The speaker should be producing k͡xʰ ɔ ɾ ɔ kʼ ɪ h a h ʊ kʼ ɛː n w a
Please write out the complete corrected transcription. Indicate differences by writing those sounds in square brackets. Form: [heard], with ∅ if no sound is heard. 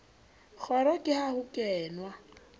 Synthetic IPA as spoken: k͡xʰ ɔ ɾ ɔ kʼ ɪ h a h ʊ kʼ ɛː n w a